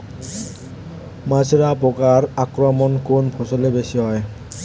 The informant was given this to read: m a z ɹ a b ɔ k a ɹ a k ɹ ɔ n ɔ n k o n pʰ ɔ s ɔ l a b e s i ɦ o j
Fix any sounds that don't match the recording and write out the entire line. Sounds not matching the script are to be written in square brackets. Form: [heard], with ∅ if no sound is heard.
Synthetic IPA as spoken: m a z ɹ a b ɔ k a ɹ a k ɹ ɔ [m] ɔ n k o n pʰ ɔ s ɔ l [e] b e s i ɦ [ɔ] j